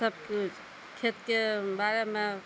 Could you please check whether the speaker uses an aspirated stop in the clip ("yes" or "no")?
yes